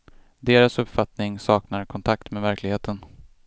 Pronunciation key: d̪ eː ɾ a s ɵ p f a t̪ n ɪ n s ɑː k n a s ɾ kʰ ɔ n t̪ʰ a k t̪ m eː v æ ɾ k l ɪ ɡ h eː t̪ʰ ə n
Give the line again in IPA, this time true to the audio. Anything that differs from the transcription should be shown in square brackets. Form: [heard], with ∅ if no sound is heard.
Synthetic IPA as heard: d̪ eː ɾ a s ɵ p f a t̪ n ɪ [ŋ] s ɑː k n a [∅] ɾ kʰ ɔ n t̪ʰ a k t̪ m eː v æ ɾ k l ɪ ɡ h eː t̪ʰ ə n

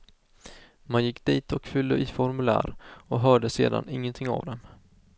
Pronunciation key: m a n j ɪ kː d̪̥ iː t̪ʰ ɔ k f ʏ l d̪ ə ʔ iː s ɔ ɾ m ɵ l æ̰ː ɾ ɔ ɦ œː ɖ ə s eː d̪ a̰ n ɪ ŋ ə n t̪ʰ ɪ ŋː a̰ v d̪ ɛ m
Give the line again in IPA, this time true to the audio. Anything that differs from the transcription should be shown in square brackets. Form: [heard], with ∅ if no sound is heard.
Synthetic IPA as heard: m a n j ɪ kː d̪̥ iː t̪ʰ ɔ k f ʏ l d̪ ə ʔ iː [f] ɔ ɾ m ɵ l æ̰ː ɾ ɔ ɦ œː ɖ ə s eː d̪ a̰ n ɪ [ŋː] ə n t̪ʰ ɪ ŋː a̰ v d̪ ɛ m

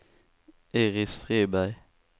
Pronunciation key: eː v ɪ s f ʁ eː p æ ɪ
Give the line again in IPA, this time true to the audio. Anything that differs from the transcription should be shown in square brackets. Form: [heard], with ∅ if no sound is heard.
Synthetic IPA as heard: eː [ʁ] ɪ s f ʁ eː [b] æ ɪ

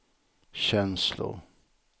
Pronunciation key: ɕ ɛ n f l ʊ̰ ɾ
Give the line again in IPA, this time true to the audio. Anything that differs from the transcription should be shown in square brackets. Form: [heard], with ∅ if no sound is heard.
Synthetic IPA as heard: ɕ ɛ n [s] l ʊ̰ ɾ

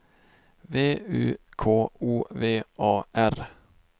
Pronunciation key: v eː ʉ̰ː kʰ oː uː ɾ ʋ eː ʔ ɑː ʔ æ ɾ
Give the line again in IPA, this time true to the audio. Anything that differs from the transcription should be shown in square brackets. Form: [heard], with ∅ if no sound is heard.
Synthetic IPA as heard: [ʋ] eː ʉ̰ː kʰ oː uː [∅] ʋ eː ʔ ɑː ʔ æ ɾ

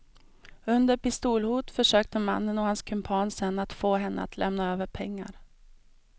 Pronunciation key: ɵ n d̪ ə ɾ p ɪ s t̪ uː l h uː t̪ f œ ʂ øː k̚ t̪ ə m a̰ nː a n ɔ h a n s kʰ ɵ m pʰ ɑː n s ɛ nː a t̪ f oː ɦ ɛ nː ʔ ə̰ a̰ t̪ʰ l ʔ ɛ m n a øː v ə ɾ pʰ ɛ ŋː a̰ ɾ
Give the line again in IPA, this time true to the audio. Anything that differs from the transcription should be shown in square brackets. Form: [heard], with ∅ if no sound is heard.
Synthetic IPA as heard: ɵ n d̪ ə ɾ p ɪ s t̪ uː l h uː t̪ f œ ʂ øː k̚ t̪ ə m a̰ nː [ə] n ɔ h a n s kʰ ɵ m pʰ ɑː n s ɛ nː a t̪ f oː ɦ ɛ nː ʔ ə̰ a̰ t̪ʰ l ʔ ɛ m n a øː v ə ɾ pʰ ɛ ŋː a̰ ɾ

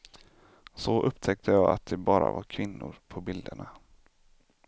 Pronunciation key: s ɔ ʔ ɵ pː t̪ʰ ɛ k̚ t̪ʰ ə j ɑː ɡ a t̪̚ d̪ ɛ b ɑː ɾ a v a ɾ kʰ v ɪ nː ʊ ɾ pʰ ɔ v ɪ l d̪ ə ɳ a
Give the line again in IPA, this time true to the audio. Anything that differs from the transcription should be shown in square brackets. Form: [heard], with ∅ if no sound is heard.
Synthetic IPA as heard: s ɔ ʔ ɵ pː t̪ʰ ɛ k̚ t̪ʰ ə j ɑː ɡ a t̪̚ d̪ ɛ b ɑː ɾ a v a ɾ kʰ v ɪ nː ʊ ɾ pʰ ɔ [b] ɪ l d̪ ə ɳ a

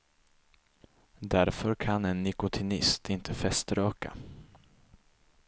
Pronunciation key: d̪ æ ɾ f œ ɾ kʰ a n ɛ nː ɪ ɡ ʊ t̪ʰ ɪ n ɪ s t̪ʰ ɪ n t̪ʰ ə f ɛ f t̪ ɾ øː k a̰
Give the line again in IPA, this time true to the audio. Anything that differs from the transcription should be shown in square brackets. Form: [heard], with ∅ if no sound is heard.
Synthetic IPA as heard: d̪ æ ɾ f œ ɾ kʰ a n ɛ nː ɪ [k] ʊ t̪ʰ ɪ n ɪ s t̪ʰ ɪ n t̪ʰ ə f ɛ [s] t̪ ɾ øː k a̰

